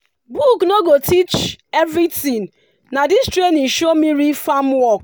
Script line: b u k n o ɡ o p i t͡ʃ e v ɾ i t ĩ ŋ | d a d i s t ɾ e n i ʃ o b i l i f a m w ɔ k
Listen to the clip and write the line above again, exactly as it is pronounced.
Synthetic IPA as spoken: b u k n o ɡ o t i t͡ʃ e v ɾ i t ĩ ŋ | n a d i s t ɾ e n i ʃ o m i ɾ i f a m w ɔ k